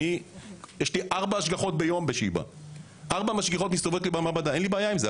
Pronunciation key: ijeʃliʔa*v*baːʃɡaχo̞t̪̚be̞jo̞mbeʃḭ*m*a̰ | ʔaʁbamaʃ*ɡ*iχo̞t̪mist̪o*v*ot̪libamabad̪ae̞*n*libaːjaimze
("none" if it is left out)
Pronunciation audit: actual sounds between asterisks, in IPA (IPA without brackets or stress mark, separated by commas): ʁ, b, ɡ, v, n